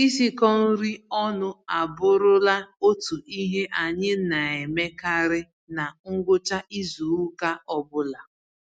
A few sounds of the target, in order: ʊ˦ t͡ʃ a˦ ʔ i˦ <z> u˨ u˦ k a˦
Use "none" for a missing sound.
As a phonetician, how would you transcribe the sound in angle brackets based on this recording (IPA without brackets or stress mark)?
z